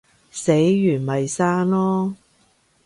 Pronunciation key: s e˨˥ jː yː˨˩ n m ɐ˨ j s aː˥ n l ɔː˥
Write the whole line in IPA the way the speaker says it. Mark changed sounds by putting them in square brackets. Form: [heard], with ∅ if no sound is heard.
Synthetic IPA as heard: s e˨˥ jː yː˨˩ n m ɐ˨ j s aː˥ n l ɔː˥